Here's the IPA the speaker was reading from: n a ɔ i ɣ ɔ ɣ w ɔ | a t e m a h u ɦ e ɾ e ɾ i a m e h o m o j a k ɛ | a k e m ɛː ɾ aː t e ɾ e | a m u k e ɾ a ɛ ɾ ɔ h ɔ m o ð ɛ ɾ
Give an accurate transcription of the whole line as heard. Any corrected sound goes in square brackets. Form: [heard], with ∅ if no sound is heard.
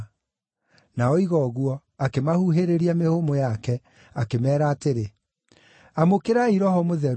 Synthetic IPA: n a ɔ i ɣ ɔ ɣ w ɔ | a [k] e m a h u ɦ e ɾ e ɾ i a m e h o m o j a k ɛ | a k e m ɛː ɾ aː t e ɾ e | a m [o] k e ɾ a [i] ɾ ɔ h ɔ m o ð ɛ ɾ